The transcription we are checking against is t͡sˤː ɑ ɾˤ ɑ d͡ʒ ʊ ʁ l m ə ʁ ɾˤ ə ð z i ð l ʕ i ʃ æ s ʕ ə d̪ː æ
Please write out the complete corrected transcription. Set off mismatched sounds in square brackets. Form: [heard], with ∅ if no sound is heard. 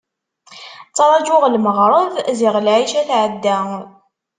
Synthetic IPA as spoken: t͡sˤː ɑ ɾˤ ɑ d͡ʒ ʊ ʁ l m ə ʁ ɾˤ ə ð z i [ʁ] l ʕ i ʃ æ [θ] ʕ ə d̪ː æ